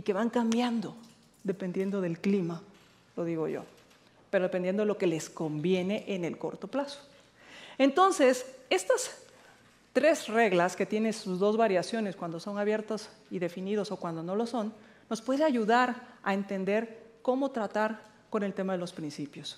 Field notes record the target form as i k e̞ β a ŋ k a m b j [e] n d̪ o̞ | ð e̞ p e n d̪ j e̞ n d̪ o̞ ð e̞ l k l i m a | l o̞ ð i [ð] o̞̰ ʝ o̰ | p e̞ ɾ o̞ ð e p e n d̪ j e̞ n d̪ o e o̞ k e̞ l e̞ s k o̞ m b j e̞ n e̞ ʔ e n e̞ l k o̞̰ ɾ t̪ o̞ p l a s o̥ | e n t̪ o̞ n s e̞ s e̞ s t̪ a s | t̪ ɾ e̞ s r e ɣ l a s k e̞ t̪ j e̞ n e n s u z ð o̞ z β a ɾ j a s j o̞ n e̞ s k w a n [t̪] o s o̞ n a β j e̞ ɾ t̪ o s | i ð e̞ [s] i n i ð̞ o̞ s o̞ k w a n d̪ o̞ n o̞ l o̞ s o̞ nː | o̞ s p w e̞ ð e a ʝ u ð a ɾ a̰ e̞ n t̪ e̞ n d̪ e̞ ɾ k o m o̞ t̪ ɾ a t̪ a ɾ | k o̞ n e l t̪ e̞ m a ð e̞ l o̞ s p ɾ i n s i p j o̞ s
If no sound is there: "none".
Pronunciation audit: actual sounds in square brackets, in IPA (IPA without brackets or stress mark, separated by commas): a, ɣ, d̪, f